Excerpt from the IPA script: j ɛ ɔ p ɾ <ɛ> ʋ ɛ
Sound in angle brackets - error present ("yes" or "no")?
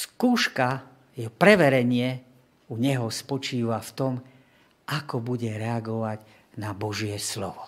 no